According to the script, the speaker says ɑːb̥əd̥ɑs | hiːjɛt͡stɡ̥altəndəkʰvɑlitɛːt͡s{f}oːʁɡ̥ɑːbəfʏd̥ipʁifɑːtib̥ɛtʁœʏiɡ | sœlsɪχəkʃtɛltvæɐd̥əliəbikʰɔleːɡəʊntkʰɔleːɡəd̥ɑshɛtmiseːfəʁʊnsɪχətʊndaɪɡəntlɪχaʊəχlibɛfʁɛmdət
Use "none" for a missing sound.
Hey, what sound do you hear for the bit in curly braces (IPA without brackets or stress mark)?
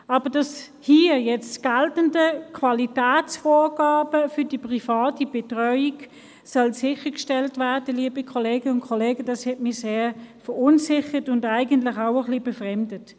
f